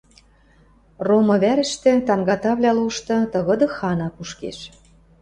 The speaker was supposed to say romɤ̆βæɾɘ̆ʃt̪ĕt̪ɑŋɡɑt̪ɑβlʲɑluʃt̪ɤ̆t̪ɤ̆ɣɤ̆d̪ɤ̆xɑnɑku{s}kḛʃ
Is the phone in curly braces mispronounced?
yes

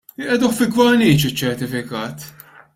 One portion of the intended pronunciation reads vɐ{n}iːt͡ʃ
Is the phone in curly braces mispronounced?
no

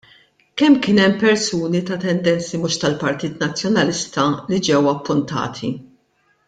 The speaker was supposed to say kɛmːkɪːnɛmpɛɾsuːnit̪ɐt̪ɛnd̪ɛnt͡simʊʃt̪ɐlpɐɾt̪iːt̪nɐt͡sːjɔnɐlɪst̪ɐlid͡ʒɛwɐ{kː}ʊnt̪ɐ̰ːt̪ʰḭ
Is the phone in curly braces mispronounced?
yes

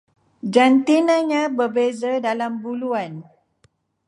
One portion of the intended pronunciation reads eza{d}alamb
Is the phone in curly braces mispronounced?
no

